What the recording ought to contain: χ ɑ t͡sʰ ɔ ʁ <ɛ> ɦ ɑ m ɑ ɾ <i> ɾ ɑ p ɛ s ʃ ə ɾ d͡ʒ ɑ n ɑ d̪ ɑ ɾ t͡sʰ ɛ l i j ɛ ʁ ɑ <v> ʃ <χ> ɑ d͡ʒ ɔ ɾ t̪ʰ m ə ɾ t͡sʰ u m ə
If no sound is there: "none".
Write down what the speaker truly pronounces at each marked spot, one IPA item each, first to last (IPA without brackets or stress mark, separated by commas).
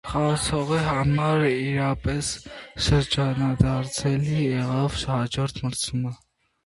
i, i, v, h